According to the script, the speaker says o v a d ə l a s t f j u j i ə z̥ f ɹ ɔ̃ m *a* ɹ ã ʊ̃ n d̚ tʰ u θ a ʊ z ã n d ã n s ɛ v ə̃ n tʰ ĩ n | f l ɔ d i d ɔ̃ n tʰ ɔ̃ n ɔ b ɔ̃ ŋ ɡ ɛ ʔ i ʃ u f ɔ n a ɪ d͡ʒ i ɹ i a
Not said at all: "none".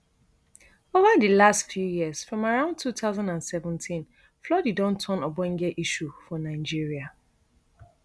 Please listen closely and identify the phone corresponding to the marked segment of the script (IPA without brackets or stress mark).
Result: a